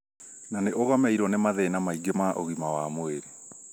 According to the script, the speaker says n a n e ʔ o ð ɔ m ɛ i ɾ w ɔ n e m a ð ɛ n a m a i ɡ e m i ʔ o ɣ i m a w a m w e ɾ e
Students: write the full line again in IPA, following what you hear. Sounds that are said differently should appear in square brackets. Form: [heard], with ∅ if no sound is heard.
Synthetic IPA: n a n e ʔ o [ɣ] ɔ m ɛ i ɾ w ɔ n e m a ð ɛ n a m a i ɡ e m [a] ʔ o ɣ i m a w a m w e ɾ e